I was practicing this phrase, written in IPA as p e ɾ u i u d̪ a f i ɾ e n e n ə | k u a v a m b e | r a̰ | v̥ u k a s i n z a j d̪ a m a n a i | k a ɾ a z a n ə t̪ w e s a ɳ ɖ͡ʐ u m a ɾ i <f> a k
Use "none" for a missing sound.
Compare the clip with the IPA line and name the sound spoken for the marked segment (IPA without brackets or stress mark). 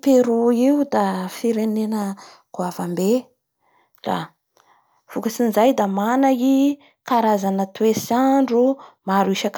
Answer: ʃ